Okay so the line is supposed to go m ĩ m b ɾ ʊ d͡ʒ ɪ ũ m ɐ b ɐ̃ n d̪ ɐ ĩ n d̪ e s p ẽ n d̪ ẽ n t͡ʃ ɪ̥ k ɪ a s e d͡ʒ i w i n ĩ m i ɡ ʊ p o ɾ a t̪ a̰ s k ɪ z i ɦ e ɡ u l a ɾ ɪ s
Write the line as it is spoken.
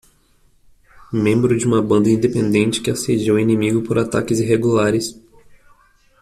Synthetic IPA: m ẽ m b ɾ ʊ d͡ʒ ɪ ũ m ɐ b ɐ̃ n d̪ ɐ ĩ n d̪ e p ẽ n d̪ ẽ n t͡ʃ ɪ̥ k ɪ a s e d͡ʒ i w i n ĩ m i ɡ ʊ p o ɾ a t̪ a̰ k ɪ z i ɦ e ɡ u l a ɾ ɪ s